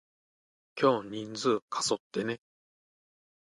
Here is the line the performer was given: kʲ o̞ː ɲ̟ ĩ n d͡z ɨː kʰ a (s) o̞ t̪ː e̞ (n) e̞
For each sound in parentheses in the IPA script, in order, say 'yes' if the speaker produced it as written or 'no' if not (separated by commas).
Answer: yes, yes